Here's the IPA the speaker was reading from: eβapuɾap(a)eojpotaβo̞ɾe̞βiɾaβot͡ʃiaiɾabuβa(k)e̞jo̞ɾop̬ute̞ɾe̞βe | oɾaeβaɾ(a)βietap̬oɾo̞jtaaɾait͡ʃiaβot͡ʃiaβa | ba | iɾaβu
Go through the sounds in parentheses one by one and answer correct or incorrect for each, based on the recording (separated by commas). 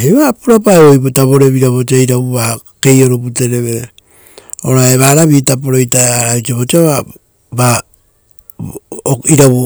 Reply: correct, correct, correct